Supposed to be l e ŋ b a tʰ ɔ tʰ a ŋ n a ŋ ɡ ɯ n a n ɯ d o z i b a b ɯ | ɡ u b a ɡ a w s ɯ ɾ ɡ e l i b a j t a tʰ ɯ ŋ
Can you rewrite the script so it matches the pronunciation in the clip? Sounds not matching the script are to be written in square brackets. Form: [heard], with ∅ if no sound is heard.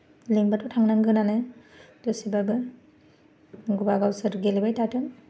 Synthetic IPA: l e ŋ b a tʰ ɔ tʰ a ŋ n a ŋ ɡ ɯ n a n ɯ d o [s] i b a b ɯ | ɡ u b a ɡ a w s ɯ ɾ ɡ e l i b a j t a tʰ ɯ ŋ